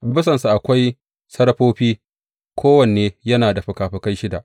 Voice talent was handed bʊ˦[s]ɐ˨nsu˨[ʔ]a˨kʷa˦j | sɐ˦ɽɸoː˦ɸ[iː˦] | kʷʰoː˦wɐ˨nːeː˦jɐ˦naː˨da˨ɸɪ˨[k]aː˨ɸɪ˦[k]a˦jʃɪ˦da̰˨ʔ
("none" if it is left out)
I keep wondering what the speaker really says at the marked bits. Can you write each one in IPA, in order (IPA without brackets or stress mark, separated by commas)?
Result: s, ʔ, iː˦, k, k